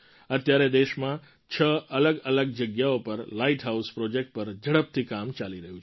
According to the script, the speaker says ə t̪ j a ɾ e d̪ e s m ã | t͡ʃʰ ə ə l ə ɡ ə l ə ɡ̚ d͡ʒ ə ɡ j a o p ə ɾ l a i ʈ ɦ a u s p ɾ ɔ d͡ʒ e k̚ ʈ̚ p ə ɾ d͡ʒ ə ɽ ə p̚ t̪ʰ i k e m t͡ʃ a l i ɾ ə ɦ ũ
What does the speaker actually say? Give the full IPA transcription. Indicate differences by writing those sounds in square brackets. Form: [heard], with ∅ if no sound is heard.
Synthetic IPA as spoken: ə t̪ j a ɾ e d̪ e [ʃ] m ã | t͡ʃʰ ə ə l ə ɡ ə l ə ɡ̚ d͡ʒ ə ɡ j a o p ə ɾ l a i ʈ ɦ a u s p ɾ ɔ d͡ʒ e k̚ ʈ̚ p ə ɾ d͡ʒ ə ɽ ə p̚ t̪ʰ i k [a] m t͡ʃ a l i ɾ ə ɦ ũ